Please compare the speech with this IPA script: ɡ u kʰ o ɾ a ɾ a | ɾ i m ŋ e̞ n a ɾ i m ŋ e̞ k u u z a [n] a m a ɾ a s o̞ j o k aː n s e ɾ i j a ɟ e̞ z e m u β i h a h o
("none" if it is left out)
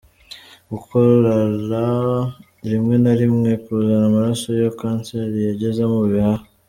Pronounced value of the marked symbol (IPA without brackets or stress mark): n